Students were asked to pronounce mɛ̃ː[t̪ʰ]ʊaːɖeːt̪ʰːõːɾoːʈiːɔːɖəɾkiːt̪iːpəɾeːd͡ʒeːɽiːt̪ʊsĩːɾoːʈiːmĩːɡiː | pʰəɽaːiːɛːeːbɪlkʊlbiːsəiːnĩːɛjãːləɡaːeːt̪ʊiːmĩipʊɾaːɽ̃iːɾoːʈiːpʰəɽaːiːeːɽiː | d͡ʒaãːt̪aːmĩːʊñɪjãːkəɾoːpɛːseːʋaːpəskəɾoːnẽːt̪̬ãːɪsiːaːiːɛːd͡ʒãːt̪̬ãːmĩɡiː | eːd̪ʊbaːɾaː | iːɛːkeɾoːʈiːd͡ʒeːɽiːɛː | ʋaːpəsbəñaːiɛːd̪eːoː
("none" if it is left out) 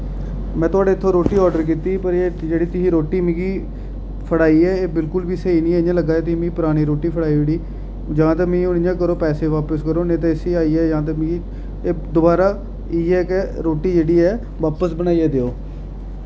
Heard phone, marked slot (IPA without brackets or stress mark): t̪